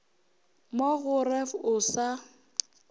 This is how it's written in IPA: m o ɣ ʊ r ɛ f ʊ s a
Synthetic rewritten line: m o ɣ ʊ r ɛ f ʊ s a